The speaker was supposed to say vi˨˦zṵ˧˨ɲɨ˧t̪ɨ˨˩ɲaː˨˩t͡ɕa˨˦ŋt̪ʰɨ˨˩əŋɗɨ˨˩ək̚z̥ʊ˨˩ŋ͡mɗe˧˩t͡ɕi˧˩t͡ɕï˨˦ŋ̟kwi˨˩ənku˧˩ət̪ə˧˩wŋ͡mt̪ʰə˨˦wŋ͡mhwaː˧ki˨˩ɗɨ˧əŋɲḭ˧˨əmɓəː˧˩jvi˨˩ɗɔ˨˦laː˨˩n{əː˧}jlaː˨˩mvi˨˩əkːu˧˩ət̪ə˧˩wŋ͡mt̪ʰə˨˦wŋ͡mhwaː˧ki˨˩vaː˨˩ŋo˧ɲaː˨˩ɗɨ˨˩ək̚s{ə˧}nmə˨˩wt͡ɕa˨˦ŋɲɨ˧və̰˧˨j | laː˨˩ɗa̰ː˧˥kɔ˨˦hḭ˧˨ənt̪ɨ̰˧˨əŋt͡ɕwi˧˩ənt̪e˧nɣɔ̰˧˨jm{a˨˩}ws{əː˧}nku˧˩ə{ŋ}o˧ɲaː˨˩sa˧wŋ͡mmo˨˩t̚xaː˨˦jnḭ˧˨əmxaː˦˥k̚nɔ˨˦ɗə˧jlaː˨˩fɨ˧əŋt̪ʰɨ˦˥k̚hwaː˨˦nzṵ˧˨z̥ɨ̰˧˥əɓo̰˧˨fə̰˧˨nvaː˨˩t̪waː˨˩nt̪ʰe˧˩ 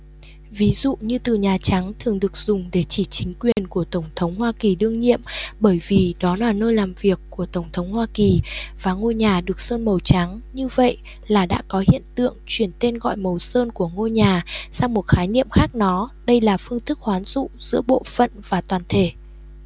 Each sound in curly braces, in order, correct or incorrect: correct, incorrect: əː˧, incorrect: ə˨˩, correct, correct

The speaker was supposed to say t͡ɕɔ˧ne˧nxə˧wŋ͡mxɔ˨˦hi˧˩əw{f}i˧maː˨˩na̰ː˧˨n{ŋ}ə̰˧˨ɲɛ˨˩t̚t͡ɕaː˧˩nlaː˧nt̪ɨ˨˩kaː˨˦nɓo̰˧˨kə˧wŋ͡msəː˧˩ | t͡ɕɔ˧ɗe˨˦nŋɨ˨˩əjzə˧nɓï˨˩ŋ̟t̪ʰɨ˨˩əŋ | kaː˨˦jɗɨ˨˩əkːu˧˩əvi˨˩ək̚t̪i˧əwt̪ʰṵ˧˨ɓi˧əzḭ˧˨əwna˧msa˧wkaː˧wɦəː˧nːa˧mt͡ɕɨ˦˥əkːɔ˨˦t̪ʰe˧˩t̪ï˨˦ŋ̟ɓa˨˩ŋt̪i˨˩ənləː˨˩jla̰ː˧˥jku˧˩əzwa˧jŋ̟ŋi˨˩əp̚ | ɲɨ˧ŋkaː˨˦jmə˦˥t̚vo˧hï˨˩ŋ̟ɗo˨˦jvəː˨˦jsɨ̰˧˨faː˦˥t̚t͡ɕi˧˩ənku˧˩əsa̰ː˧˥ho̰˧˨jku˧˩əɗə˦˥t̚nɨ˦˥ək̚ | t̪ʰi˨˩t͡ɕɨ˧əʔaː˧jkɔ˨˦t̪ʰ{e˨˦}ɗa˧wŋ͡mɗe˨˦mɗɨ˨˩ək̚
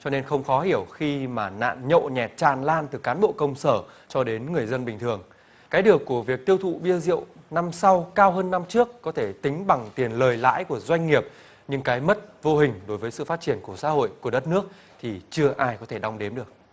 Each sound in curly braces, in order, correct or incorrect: incorrect: x, incorrect: ɲ, incorrect: e˧˩

